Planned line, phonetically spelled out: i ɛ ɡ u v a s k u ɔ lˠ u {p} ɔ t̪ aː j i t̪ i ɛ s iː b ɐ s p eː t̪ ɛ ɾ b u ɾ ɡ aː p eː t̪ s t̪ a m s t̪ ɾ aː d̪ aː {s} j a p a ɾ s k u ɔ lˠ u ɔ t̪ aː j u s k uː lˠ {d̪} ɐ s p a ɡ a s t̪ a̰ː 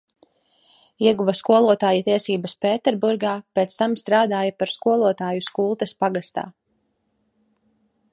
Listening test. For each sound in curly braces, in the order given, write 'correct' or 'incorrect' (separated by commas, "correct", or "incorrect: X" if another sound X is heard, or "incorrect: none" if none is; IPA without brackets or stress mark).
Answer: incorrect: none, incorrect: none, incorrect: t̪